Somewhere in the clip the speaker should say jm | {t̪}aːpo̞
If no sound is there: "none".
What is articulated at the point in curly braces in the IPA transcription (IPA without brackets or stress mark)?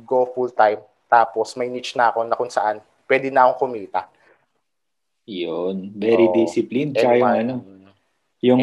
t̪